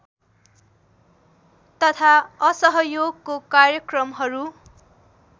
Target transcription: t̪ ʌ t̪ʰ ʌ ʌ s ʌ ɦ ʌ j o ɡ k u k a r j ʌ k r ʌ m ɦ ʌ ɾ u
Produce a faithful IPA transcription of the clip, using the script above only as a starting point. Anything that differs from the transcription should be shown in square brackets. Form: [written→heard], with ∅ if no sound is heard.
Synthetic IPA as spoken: t̪ ʌ t̪ʰ [ʌ→a] ʌ s ʌ ɦ ʌ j o ɡ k [u→o] k a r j ʌ k r ʌ m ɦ ʌ ɾ u